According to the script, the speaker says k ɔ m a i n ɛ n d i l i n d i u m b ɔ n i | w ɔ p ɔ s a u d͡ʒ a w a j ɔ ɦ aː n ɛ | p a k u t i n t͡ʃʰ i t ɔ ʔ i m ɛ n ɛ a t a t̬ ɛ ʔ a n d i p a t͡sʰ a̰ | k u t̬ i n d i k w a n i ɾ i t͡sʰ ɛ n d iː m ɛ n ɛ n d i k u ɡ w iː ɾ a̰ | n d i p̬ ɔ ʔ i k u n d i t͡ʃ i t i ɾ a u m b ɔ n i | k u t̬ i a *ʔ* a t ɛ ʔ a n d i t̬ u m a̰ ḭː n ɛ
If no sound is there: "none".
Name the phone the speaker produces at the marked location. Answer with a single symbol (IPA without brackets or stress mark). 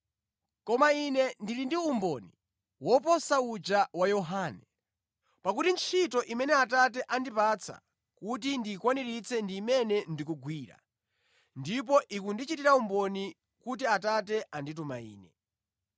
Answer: t